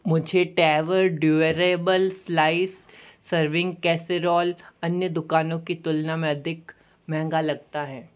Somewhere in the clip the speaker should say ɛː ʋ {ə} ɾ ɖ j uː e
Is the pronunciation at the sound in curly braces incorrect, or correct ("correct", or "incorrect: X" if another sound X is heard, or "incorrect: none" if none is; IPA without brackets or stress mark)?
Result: correct